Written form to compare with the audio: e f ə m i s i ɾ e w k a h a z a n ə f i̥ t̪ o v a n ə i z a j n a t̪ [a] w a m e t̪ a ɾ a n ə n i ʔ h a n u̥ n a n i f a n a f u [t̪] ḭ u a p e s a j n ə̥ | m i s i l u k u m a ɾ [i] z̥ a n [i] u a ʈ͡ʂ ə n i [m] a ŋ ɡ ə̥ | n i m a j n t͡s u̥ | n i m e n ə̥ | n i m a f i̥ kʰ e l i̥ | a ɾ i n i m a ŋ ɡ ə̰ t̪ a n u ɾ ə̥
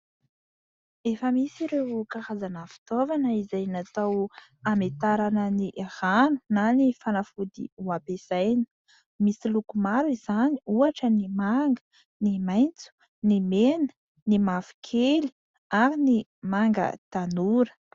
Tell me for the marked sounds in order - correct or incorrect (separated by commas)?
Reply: correct, incorrect, correct, correct, correct